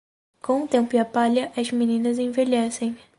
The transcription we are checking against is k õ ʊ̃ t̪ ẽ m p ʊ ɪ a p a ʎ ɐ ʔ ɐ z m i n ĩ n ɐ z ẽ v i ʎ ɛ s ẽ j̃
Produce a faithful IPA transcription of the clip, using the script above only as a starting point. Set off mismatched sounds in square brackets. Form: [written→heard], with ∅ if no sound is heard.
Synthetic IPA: k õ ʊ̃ t̪ ẽ m p ʊ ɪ a p a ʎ ɐ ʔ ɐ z m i n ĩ n ɐ z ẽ v [i→e] ʎ ɛ s ẽ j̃